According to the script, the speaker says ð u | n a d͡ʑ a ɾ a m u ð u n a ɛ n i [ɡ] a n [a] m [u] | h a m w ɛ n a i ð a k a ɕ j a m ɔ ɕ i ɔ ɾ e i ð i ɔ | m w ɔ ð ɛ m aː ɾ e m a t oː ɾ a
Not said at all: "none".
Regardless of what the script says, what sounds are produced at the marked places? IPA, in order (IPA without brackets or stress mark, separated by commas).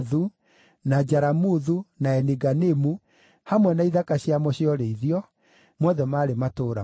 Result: ɡ, e, u